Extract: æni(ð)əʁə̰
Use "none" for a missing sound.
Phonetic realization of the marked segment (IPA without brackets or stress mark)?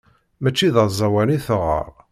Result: θ